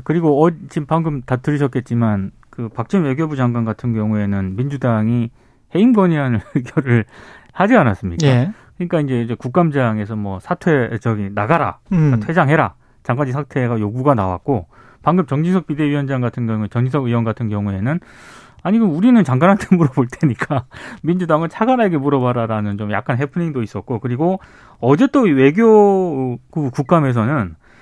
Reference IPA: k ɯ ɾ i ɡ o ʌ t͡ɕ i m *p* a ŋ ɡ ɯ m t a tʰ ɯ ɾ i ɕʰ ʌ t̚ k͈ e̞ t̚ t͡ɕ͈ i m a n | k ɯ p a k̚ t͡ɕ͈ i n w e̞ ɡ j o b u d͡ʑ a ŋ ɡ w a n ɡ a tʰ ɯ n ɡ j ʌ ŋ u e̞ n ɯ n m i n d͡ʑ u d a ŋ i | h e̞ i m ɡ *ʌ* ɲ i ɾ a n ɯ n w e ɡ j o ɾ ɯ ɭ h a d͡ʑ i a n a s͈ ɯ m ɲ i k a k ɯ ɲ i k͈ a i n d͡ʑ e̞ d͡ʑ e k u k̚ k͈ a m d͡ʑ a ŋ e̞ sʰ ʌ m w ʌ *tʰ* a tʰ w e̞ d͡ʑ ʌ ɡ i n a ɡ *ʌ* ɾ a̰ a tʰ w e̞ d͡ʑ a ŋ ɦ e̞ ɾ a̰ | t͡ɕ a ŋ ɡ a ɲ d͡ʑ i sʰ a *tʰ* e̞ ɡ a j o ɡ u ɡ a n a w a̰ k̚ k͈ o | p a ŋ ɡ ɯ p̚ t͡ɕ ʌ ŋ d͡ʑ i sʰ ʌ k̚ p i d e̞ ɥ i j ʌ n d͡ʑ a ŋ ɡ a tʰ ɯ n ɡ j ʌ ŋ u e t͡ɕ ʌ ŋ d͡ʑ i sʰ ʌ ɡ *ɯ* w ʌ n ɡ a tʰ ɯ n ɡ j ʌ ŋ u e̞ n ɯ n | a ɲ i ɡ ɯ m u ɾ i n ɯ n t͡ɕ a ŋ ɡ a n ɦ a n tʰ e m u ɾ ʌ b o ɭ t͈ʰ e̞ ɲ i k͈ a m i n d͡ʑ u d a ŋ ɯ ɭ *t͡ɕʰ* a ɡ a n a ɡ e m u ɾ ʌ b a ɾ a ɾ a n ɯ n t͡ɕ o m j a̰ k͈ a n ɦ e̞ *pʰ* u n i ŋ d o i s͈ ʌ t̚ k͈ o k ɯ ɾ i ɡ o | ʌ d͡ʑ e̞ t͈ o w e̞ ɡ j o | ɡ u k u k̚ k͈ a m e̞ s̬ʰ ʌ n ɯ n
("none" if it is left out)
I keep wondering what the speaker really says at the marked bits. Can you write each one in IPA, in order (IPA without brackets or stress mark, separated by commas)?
p, ʌ, sʰ, a, tʰ, ɯ, t͡ɕʰ, pʰ